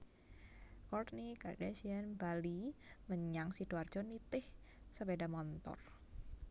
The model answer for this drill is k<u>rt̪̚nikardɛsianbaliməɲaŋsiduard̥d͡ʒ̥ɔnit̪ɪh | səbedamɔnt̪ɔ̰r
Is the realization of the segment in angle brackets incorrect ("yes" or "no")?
yes